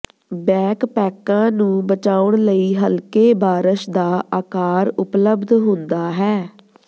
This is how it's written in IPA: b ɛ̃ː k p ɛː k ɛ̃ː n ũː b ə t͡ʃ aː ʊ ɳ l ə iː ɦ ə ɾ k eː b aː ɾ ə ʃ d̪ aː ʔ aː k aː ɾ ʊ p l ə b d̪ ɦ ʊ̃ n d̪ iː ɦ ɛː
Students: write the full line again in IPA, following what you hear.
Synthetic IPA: b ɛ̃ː k p ɛː k ãː n ũː b ə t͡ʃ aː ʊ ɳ l ə iː ɦ ə l k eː b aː ɾ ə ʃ d̪ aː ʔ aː k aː ɾ ʊ p l ə b d̪ ɦ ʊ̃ n d̪ aː ɦ ɛː